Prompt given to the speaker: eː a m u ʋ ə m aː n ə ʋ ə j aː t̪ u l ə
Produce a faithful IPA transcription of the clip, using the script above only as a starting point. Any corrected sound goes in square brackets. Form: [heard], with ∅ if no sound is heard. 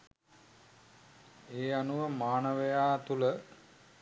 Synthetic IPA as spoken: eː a [n] u ʋ ə m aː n ə ʋ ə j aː t̪ u l ə